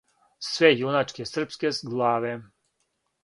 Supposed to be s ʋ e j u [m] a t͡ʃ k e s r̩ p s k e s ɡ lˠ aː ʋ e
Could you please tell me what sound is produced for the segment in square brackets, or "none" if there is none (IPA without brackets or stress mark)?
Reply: n